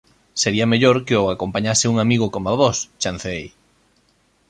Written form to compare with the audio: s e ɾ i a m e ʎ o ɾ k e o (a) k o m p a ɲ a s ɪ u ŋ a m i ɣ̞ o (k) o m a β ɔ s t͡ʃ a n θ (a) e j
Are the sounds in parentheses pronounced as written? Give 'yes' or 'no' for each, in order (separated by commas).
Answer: yes, yes, no